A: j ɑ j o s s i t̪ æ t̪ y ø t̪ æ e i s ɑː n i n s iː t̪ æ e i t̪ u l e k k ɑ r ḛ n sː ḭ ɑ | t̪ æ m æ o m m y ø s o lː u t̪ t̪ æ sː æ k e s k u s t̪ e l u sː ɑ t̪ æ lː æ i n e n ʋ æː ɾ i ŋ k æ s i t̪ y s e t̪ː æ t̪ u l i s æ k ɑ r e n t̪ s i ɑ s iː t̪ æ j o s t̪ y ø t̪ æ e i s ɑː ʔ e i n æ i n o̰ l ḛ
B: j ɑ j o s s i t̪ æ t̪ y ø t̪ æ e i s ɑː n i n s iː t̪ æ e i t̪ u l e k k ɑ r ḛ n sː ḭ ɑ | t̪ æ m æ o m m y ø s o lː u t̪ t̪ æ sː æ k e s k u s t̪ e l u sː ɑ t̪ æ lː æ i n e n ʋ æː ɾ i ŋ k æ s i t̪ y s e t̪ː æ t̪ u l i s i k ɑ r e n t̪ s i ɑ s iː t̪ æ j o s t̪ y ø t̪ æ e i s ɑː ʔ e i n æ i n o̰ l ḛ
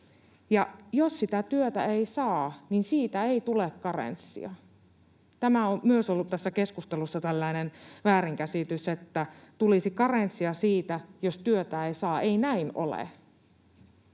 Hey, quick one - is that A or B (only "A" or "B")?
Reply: B